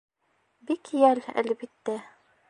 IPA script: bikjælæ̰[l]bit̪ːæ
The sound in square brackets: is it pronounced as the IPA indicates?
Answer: yes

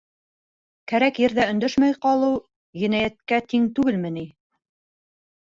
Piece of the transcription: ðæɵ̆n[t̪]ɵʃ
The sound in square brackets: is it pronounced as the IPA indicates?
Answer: no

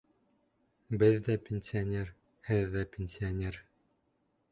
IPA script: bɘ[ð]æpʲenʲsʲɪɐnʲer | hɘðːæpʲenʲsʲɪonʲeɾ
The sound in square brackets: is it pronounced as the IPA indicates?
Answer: no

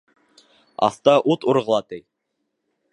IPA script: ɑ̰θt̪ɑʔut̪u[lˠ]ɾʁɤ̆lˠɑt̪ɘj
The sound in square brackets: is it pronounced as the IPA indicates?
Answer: no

